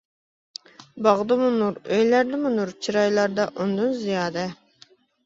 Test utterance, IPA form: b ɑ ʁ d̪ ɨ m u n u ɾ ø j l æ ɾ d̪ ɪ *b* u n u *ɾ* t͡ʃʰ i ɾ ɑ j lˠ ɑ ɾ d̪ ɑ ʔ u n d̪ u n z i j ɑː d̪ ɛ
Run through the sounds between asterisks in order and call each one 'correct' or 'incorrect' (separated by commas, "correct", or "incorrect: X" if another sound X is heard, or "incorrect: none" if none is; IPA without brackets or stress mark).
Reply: incorrect: m, correct